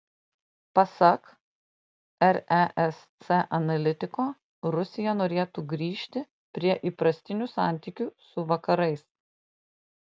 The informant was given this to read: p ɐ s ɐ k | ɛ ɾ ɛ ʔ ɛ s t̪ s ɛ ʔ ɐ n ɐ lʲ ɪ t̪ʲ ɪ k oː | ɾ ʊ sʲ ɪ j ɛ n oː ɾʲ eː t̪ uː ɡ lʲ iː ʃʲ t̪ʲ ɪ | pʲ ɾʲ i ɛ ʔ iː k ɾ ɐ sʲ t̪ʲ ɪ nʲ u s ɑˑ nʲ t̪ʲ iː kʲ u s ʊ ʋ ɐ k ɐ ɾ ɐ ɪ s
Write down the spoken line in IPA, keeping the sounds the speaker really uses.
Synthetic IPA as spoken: p ɐ s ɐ k | ɛ ɾ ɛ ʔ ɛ s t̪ s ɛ ʔ ɐ n ɐ lʲ ɪ t̪ʲ ɪ k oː | ɾ ʊ sʲ ɪ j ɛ n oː ɾʲ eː t̪ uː ɡ ɾʲ iː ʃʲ t̪ʲ ɪ | pʲ ɾʲ i ɛ ʔ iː p ɾ ɐ sʲ t̪ʲ ɪ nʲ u s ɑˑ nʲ t̪ʲ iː kʲ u s ʊ ʋ ɐ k ɐ ɾ ɐ ɪ s